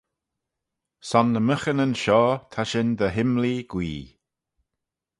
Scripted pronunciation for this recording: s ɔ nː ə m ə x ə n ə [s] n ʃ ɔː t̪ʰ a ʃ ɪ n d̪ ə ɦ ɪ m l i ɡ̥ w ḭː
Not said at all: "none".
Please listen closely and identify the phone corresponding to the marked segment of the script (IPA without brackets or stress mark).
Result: none